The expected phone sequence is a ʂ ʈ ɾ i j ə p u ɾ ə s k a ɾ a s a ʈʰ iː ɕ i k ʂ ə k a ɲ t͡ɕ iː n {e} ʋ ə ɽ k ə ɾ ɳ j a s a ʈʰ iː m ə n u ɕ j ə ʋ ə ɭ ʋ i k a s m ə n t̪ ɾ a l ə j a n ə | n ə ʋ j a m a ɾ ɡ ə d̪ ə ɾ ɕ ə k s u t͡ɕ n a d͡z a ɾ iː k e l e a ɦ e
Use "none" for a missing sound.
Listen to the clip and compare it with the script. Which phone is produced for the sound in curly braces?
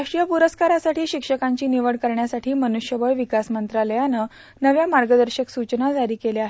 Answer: i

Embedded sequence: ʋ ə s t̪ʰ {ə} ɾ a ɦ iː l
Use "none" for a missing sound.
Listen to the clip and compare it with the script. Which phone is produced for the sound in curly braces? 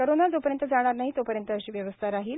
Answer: a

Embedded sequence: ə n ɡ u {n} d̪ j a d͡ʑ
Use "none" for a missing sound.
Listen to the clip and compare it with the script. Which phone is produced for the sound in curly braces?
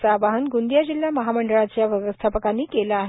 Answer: n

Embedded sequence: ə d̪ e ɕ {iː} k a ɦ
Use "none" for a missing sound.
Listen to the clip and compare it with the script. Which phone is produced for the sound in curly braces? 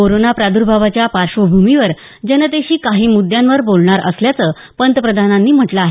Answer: iː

